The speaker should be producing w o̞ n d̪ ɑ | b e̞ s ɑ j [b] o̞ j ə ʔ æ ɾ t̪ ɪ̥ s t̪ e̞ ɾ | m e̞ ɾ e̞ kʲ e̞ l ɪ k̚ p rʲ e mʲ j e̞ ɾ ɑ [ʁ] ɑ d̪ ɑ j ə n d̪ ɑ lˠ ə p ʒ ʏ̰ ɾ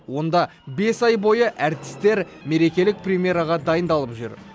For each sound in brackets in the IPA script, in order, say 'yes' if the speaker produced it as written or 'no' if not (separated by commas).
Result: yes, yes